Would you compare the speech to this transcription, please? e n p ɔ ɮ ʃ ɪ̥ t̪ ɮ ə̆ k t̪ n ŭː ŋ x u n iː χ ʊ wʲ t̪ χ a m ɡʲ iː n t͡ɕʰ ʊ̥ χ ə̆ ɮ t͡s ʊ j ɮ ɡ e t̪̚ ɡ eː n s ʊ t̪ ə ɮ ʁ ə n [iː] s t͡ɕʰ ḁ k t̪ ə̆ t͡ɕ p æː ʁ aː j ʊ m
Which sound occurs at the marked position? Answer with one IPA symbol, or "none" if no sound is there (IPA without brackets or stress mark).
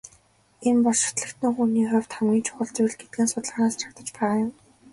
aː